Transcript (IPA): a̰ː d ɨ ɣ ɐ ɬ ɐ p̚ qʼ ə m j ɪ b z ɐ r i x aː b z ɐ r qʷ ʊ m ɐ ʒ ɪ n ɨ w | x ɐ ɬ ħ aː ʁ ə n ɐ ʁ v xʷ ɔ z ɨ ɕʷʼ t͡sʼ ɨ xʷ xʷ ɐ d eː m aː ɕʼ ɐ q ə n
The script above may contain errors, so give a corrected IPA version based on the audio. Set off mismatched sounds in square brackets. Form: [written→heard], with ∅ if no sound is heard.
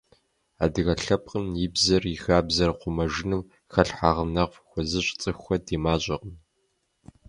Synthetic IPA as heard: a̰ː d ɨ ɣ ɐ ɬ ɐ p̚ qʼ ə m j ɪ b z ɐ r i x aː b z ɐ r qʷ ʊ m ɐ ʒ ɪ n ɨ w | x ɐ ɬ ħ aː ʁ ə n ɐ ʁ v xʷ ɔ z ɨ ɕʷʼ t͡sʼ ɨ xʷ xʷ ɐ d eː m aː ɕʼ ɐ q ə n